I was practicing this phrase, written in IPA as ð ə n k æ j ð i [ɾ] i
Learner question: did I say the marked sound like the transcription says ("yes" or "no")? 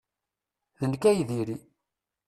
yes